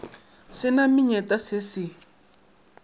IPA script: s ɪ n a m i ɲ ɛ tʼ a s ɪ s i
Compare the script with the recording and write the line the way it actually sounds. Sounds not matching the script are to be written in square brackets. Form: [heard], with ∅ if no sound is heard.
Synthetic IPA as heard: s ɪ n a m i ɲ ɛ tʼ a s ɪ s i